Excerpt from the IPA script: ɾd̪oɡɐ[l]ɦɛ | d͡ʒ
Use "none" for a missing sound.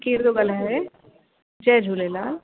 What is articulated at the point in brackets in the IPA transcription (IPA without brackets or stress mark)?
l